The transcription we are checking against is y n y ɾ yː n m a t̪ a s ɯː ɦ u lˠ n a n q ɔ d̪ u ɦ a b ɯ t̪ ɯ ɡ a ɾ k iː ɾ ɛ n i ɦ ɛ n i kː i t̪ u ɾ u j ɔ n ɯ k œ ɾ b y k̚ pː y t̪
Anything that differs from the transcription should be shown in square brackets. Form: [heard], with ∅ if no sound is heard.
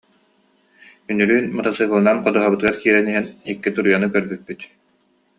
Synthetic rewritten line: y n y ɾ yː n m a t̪ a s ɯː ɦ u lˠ n a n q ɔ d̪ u ɦ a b ɯ t̪ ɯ ɡ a ɾ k iː ɾ ɛ n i ɦ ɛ n i kː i t̪ u ɾ u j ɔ n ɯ k œ ɾ b y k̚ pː y t̪